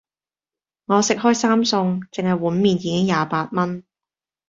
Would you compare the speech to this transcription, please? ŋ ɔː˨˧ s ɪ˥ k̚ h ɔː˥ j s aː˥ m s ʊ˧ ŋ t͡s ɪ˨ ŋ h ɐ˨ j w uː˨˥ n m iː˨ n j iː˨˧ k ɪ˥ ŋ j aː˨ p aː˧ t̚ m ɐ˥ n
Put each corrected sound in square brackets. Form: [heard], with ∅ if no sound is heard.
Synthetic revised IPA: ŋ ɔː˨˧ s [ɪ˨] k̚ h ɔː˥ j s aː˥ m s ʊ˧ ŋ t͡s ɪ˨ ŋ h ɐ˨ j w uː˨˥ n m iː˨ n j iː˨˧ k ɪ˥ ŋ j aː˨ p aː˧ t̚ m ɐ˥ n